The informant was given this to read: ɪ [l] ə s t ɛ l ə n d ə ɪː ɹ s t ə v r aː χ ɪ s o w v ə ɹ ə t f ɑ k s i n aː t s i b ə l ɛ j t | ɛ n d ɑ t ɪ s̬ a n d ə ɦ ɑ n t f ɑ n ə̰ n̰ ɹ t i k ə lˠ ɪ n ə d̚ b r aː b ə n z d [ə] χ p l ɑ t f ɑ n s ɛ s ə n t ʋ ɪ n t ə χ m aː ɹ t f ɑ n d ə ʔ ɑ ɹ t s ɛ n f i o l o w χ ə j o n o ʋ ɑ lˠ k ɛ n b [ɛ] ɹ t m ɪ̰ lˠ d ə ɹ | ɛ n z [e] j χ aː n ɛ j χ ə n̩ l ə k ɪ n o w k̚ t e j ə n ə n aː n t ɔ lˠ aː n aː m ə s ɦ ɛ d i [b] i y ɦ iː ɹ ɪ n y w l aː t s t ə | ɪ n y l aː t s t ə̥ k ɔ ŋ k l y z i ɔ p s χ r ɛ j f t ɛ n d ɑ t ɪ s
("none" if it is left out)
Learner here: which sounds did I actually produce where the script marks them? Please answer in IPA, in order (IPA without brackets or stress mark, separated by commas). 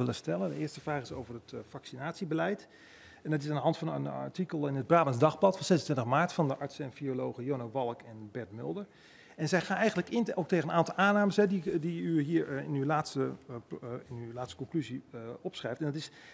l, ɑ, ɛ, ɛ, d